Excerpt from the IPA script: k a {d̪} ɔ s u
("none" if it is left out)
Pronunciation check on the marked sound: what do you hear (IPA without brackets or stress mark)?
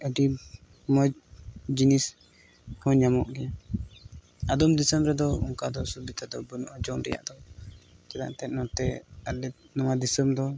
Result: d̪